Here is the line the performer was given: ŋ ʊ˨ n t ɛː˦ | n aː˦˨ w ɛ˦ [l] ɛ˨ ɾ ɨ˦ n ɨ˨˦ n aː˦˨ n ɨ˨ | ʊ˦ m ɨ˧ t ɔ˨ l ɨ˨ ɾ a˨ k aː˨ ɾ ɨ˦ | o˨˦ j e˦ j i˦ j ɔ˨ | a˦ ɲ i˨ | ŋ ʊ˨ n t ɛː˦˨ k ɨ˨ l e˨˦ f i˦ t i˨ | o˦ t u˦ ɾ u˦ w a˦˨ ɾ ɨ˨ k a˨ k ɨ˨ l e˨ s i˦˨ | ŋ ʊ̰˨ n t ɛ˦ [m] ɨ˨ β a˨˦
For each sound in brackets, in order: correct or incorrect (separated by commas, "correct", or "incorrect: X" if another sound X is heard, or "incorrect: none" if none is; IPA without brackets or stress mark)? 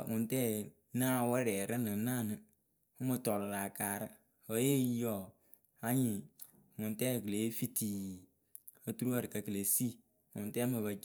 incorrect: ɾ, correct